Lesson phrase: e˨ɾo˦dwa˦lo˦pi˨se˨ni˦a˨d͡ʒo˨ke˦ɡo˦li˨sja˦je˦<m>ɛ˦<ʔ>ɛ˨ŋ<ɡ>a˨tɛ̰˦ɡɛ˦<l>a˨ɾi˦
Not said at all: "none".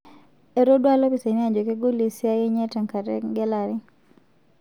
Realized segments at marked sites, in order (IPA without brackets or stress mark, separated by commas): ɲ, t, k, l